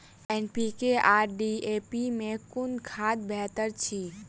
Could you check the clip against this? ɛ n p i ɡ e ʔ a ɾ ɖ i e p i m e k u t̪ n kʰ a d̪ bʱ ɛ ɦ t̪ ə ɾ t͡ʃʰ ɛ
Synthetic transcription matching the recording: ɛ n p i k e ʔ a ɾ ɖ i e p i m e k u n kʰ a d̪ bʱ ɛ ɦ t̪ ə ɾ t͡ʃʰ i